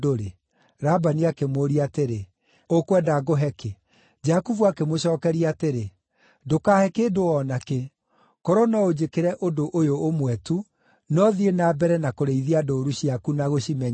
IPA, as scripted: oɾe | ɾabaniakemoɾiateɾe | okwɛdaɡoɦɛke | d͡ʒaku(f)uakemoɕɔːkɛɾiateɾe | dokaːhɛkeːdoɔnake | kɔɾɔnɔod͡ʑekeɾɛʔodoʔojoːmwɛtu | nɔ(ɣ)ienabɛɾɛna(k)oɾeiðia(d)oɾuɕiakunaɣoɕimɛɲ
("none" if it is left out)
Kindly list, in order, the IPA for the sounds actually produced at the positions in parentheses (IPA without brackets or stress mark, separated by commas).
v, ð, k, d